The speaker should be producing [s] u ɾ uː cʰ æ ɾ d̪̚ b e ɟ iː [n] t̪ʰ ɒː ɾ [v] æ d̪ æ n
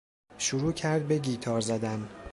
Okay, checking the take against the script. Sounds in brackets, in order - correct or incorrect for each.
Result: incorrect: ʃ, incorrect: none, incorrect: z

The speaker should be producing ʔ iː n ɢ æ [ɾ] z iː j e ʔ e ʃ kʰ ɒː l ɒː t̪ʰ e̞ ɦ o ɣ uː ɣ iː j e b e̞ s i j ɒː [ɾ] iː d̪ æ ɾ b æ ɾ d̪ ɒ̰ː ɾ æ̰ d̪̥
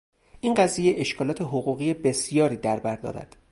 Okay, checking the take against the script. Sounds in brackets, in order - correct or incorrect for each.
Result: incorrect: none, correct

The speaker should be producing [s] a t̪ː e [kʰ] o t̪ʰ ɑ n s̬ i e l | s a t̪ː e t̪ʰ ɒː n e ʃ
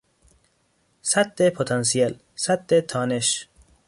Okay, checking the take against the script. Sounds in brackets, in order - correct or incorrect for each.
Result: correct, incorrect: pʰ

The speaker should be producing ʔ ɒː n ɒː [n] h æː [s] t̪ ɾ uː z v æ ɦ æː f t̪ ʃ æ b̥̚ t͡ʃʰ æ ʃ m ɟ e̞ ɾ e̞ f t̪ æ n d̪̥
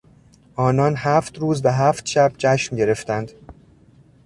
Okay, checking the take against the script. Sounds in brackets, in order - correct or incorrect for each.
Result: correct, incorrect: f

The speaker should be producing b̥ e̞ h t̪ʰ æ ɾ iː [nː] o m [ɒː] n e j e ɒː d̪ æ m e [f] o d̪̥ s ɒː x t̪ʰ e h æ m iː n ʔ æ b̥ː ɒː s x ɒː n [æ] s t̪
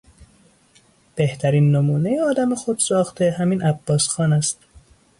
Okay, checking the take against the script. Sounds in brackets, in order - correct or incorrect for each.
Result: correct, incorrect: uː, incorrect: x, correct

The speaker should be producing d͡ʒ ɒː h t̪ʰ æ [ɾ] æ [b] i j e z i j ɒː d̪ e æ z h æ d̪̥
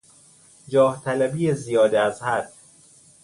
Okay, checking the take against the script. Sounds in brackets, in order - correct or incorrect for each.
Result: incorrect: l, correct

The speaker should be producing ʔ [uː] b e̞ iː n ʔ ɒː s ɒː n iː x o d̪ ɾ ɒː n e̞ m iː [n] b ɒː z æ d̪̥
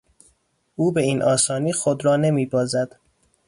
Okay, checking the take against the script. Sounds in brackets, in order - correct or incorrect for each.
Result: correct, incorrect: none

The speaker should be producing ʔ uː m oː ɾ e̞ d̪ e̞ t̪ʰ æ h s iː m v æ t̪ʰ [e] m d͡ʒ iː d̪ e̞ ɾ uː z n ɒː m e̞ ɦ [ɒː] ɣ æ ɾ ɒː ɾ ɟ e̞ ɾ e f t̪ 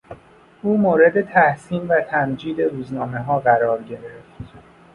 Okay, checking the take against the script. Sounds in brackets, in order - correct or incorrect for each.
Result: incorrect: æ, correct

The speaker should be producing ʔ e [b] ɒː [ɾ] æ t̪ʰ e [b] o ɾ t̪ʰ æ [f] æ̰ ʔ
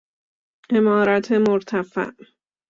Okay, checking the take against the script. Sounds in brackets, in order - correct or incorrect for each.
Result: incorrect: m, correct, incorrect: m, correct

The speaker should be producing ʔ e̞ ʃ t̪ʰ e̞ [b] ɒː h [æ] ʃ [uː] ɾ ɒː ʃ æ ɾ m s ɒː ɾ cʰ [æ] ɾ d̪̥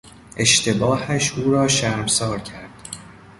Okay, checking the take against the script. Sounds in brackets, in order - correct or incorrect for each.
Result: correct, correct, correct, correct

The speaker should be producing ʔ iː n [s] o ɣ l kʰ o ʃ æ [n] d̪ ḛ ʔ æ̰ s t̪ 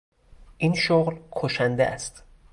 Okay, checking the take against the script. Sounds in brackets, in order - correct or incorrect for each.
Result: incorrect: ʃ, correct

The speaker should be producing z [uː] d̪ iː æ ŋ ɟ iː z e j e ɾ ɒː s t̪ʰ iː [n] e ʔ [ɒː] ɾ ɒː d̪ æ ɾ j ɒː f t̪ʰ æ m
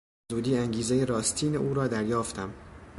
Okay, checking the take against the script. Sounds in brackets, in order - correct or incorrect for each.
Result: correct, correct, incorrect: uː

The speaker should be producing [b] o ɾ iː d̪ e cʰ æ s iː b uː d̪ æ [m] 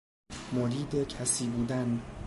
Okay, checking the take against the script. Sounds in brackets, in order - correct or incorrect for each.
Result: incorrect: m, incorrect: n

